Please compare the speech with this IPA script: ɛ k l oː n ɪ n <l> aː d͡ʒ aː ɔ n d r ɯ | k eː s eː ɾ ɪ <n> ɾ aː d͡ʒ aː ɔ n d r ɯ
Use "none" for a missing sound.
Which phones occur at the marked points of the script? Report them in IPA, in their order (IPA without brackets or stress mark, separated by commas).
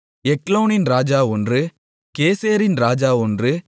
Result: ɾ, n